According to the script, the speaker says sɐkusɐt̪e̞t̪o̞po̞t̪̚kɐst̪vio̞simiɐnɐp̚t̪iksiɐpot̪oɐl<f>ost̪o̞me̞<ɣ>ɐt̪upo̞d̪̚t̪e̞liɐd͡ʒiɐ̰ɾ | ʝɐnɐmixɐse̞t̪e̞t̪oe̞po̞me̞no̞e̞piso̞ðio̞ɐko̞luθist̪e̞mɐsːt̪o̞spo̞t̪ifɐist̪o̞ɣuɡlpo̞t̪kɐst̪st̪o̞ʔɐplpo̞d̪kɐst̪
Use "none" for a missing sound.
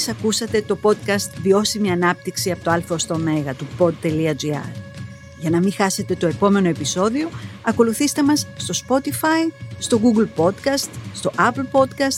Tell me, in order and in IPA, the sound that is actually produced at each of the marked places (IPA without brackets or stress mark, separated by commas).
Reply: f, ɣ